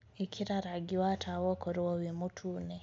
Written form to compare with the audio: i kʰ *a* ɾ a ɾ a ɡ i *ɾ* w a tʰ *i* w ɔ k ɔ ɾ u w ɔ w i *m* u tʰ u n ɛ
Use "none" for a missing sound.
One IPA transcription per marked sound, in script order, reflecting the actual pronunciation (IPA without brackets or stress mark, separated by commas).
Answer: i, none, a, m